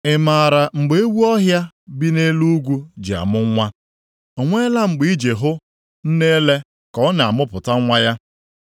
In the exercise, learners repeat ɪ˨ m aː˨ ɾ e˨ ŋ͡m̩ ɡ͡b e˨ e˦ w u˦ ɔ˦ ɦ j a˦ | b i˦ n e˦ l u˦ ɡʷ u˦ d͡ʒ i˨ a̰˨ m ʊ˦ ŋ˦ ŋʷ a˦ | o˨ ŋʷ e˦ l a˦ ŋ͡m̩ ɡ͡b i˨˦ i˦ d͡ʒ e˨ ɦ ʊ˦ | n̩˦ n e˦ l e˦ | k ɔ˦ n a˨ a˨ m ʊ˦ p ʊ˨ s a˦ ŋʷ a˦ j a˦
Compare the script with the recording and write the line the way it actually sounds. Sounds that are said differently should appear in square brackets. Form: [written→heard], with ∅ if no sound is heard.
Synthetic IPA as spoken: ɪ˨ m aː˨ ɾ [e˨→a˨] ŋ͡m̩ ɡ͡b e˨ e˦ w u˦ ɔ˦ ɦ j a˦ | b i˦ n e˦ l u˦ ɡʷ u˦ d͡ʒ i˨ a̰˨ m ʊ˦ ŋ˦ ŋʷ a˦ | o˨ ŋʷ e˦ l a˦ ŋ͡m̩ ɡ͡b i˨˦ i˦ d͡ʒ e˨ ɦ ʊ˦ | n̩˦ n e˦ l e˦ | k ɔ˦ n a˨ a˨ m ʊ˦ p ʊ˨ [s→t] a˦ ŋʷ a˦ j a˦